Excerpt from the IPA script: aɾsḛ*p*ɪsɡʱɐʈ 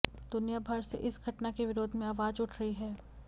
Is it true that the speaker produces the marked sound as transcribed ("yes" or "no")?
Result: no